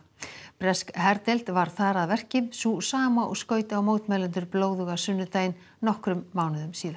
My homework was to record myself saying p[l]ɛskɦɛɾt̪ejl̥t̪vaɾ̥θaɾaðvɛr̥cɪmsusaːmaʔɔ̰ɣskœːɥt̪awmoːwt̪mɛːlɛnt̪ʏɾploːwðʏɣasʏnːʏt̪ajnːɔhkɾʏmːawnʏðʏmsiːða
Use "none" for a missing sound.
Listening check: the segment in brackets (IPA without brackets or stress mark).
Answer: ɾ